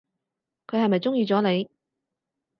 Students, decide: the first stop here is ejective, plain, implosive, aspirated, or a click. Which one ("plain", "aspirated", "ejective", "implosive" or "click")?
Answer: aspirated